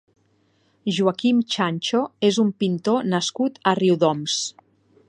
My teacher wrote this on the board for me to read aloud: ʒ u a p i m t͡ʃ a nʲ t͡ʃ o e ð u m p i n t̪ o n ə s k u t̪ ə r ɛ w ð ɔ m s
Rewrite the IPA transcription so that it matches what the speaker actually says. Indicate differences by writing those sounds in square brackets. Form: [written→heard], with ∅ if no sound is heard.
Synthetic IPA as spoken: ʒ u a [p→k] i m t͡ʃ a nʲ t͡ʃ o e [ð→z] u m p i n t̪ o n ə s k u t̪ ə r [ɛ→i] w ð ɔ m s